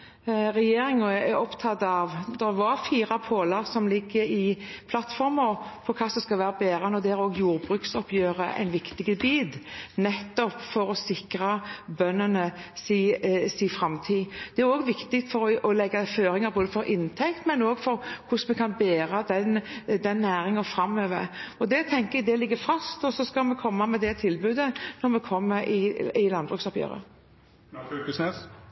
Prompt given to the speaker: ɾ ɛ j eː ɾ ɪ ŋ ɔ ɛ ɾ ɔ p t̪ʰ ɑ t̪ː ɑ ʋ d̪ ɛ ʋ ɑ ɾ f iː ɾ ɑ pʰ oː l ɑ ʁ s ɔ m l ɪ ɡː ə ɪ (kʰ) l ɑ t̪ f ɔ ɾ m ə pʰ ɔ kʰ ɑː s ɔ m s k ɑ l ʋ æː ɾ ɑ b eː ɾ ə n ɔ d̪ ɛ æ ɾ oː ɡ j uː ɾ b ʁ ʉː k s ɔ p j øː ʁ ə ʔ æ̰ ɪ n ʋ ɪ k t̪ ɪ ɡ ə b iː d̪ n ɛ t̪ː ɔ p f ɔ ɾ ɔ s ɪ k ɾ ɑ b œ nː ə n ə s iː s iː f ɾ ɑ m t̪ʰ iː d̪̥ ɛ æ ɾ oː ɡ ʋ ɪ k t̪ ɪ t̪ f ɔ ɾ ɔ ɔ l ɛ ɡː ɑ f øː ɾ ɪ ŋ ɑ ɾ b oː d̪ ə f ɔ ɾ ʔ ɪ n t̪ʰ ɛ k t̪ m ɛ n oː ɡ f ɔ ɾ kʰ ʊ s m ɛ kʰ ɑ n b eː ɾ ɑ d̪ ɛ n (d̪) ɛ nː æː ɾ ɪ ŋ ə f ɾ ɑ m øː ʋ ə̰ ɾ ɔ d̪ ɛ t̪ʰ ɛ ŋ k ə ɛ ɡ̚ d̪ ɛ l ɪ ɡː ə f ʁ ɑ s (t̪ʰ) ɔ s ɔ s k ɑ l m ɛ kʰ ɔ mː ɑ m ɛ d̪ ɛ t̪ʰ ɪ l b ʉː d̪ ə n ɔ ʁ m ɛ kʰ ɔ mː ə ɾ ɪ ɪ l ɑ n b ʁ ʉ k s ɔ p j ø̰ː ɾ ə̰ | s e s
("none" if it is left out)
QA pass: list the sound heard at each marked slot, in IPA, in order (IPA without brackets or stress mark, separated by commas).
pʰ, d̪, t̪